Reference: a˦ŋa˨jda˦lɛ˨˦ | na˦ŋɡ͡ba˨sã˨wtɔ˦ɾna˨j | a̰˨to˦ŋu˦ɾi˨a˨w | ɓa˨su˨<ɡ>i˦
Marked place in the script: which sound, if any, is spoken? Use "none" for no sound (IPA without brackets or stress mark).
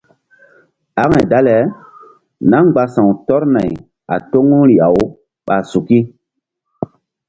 k